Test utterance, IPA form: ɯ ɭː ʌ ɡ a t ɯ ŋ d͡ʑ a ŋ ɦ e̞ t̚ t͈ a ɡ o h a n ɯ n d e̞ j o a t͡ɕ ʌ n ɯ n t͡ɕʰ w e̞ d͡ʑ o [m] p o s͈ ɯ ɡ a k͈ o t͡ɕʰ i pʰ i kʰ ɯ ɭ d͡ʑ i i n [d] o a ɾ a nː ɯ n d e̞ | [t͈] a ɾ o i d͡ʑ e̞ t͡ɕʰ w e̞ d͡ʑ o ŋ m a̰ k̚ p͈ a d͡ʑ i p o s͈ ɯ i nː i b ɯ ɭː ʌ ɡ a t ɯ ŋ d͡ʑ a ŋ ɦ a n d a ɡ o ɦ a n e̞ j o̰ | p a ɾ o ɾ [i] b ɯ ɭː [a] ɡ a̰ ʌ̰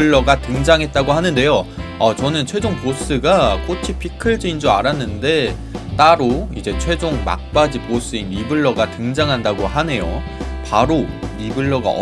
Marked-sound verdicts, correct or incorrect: incorrect: ŋ, incorrect: d͡ʑ, correct, correct, incorrect: ʌ

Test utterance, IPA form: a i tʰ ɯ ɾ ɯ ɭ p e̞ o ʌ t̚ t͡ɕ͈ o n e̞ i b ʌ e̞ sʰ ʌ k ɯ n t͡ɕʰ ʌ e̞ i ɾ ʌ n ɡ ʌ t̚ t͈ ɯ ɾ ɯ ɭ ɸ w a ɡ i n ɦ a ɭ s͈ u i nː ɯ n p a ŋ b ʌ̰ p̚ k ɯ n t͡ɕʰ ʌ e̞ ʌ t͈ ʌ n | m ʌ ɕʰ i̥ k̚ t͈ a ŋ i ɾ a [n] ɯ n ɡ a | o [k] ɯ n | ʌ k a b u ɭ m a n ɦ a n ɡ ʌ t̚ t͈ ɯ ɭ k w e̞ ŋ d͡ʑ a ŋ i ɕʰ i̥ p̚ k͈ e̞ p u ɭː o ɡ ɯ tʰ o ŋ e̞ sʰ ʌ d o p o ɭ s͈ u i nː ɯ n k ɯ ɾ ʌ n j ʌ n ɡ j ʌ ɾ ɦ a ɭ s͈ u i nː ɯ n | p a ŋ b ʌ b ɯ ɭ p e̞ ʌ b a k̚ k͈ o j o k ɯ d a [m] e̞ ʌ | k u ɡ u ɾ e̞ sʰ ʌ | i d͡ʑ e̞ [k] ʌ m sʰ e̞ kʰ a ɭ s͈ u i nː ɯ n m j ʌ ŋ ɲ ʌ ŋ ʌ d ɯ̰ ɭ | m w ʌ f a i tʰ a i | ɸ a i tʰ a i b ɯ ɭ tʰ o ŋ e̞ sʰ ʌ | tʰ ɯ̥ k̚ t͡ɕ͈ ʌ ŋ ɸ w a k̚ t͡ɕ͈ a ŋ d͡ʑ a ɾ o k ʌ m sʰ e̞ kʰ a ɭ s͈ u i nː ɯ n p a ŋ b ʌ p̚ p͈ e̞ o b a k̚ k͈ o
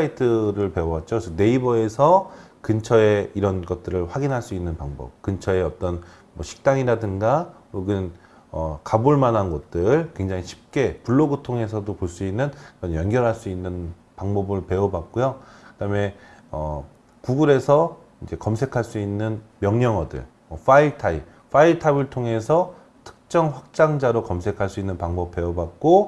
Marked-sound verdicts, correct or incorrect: incorrect: d, incorrect: ɡ, correct, correct

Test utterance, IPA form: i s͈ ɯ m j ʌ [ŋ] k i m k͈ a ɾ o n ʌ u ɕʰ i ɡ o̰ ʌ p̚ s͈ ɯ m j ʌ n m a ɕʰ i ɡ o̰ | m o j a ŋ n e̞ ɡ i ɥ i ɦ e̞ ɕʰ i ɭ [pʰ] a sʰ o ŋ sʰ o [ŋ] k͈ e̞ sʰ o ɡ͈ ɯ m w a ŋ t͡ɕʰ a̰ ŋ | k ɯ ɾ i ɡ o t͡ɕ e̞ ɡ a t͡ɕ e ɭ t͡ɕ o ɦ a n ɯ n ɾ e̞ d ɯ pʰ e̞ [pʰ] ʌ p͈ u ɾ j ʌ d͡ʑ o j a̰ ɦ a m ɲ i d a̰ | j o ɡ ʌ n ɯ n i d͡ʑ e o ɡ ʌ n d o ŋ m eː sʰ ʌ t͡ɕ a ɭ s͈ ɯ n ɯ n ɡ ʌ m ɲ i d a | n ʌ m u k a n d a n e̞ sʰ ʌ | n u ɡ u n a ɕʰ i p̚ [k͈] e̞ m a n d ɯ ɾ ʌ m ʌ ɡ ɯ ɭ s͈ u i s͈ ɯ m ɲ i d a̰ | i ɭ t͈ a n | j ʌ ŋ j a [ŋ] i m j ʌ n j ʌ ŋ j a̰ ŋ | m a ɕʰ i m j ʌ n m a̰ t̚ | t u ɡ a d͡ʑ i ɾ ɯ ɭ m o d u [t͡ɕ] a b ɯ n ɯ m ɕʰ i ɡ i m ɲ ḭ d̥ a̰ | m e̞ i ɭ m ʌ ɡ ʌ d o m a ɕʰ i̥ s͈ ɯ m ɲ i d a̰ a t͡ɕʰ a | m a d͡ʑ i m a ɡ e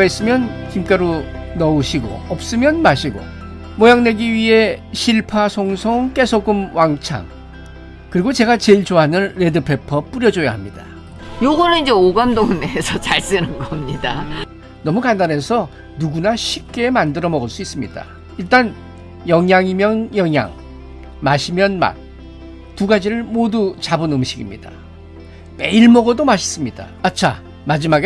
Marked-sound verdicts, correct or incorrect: incorrect: n, correct, correct, correct, correct, correct, correct

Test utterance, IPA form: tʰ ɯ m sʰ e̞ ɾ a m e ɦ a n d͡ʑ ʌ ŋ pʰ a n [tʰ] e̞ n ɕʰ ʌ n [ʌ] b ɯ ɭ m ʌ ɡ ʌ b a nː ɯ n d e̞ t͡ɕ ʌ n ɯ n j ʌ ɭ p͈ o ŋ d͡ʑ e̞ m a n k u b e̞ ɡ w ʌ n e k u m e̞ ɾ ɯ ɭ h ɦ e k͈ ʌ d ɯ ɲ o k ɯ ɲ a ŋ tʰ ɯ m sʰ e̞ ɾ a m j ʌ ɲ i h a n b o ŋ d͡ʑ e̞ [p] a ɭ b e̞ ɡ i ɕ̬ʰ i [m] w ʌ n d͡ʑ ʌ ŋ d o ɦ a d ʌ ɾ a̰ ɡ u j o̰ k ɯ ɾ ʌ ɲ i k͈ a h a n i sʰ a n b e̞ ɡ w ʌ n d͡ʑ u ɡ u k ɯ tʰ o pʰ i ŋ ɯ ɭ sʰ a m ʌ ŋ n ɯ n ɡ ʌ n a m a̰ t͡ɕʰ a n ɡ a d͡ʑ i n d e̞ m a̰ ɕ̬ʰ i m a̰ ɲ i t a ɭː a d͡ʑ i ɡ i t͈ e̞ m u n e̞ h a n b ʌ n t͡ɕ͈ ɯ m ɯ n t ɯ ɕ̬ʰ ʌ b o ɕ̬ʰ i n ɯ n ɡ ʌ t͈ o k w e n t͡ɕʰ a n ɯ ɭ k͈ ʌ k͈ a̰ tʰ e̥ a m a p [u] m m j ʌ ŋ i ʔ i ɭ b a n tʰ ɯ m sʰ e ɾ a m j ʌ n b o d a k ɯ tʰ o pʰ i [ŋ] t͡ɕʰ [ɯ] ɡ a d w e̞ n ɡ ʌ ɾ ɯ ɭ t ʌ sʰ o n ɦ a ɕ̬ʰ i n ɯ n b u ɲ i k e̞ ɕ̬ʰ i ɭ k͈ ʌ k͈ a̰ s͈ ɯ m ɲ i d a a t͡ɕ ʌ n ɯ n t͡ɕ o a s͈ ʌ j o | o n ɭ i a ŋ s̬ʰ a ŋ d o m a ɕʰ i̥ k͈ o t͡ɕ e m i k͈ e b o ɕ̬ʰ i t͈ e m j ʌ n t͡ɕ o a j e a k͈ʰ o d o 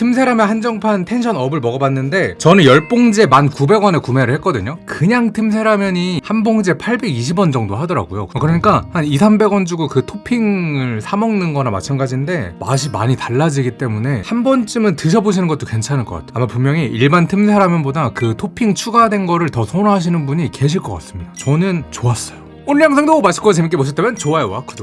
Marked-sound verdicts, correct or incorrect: correct, correct, incorrect: pʰ, incorrect: b, correct, correct, incorrect: u

